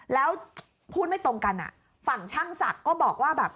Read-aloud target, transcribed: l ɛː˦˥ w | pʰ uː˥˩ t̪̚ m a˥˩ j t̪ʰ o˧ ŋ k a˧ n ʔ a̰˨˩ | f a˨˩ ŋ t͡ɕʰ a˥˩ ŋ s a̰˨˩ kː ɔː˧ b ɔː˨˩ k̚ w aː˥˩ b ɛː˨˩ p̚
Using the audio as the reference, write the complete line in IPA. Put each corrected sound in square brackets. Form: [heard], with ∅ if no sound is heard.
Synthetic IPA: l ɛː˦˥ w | pʰ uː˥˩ t̪̚ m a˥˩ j [t̪] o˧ ŋ k a˧ n ʔ a̰˨˩ | f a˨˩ ŋ t͡ɕʰ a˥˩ ŋ s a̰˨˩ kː [ɔː˥˩] b ɔː˨˩ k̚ w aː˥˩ b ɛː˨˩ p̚